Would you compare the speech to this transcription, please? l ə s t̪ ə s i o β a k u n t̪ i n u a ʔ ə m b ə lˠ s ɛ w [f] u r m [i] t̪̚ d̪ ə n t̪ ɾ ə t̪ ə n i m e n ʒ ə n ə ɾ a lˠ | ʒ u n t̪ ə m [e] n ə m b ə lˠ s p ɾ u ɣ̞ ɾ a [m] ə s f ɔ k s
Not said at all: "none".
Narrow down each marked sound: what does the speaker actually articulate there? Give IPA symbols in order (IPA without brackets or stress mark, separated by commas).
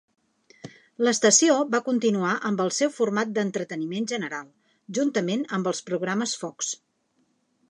f, a, e, m